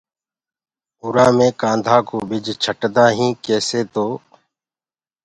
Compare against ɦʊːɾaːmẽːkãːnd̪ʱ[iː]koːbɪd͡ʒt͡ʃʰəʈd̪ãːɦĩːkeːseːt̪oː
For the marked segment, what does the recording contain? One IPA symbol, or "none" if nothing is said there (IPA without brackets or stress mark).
aː